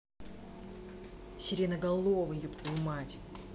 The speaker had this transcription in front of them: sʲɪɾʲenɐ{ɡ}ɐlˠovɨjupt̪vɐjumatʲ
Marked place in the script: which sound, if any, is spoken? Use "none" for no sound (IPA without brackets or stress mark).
ɡ